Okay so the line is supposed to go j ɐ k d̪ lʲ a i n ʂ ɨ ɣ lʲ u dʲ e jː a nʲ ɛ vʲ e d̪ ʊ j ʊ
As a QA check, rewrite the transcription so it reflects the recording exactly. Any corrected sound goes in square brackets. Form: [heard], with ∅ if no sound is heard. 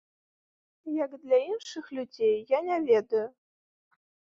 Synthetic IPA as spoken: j [a] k d̪ lʲ a i n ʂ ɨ [x] lʲ u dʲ e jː a nʲ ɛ vʲ e d̪ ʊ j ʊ